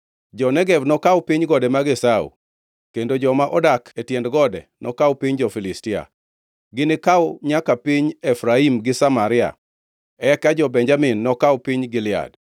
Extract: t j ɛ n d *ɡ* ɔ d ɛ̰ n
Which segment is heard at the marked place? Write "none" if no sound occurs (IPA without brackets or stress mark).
ɡ